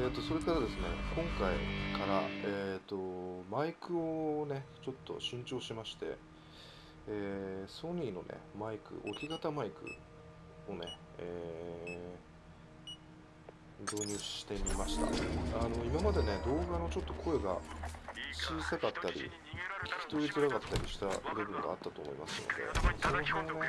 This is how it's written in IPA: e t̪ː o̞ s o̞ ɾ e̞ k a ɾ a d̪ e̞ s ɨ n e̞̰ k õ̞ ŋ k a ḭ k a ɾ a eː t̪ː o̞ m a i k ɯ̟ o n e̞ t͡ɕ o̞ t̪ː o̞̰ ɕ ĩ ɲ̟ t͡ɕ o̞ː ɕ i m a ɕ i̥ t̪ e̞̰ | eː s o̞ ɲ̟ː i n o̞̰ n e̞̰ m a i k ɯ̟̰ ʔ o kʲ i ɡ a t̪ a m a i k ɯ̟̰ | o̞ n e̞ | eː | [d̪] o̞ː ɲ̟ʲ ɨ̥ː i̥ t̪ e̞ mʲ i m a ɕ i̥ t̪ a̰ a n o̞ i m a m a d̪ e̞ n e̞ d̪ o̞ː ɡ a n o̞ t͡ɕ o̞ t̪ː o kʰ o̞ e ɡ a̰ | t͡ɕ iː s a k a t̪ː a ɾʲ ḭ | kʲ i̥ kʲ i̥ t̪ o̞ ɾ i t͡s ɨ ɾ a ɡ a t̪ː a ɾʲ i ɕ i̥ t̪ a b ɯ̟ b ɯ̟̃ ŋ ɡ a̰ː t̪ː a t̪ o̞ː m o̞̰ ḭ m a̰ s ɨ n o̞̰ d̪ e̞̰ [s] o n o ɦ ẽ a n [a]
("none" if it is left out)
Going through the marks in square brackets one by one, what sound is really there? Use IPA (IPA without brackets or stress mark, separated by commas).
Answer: d̪, s, e